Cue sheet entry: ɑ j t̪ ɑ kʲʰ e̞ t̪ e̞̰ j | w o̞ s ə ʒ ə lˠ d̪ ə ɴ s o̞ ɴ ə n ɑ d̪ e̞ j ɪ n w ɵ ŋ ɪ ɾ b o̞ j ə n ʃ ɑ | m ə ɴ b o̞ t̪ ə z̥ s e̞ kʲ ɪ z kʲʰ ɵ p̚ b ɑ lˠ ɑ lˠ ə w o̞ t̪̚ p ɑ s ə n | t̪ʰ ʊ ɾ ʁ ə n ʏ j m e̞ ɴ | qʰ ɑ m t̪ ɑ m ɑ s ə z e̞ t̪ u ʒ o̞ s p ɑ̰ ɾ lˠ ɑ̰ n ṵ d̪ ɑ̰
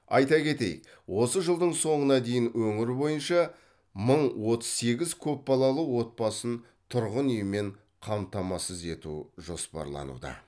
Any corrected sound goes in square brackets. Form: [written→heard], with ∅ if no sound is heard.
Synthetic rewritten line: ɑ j t̪ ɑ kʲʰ e̞ t̪ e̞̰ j | w o̞ s ə ʒ ə lˠ d̪ ə ɴ s o̞ ɴ ə n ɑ d̪ e̞ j ɪ n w ɵ ŋ ɪ ɾ b o̞ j ə n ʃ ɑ | m ə ɴ [b→w] o̞ t̪ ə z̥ s e̞ [kʲ→ɡʲ] ɪ z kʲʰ ɵ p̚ b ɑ lˠ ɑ lˠ ə w o̞ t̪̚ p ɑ s ə n | t̪ʰ ʊ ɾ ʁ ə n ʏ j m e̞ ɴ | qʰ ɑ m t̪ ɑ m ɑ s ə z e̞ t̪ u ʒ o̞ s p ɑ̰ ɾ lˠ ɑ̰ n ṵ d̪ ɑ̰